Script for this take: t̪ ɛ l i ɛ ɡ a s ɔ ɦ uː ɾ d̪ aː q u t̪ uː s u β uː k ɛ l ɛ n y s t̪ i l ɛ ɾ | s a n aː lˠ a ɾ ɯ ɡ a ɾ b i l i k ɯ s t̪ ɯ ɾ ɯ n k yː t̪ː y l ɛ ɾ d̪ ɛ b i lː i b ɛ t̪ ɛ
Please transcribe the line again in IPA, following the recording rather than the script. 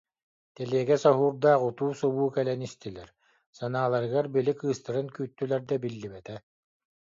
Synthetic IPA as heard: t̪ ɛ l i ɛ ɡ ɛ s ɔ ɦ uː ɾ d̪ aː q u t̪ uː s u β uː k ɛ l ɛ n i s t̪ i l ɛ ɾ | s a n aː lˠ a ɾ ɯ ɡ a ɾ b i l i k ɯː s t̪ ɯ ɾ ɯ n k yː t̪ː y l ɛ ɾ d̪ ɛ b i lː i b ɛ t̪ ɛ